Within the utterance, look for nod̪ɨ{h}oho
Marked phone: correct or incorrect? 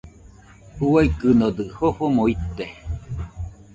correct